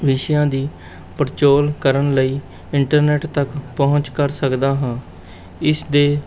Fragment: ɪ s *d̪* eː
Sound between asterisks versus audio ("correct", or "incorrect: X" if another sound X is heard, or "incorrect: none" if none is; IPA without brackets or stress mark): correct